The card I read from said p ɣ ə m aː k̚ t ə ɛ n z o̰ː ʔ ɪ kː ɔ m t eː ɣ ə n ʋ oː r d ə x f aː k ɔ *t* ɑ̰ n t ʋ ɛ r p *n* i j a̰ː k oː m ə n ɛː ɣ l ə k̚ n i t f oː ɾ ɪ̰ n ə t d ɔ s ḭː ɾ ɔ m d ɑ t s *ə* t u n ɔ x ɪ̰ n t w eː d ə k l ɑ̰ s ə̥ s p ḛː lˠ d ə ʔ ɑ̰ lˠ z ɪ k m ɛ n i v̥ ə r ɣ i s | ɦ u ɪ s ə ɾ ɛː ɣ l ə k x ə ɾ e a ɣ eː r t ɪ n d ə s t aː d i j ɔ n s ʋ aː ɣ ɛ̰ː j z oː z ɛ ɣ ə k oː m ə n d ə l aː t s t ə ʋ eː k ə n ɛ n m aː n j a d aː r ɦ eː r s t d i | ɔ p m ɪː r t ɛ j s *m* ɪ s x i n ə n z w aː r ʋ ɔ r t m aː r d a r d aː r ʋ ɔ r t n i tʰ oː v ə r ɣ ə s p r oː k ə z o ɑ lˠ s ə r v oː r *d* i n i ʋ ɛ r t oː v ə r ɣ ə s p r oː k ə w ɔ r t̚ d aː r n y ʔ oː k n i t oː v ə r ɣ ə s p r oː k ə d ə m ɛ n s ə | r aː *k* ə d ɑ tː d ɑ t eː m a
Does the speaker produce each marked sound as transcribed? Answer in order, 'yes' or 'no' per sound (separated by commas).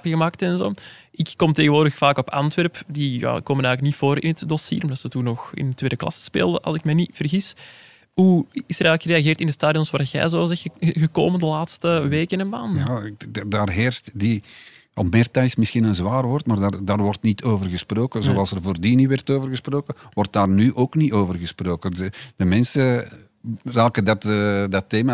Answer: no, no, yes, yes, yes, yes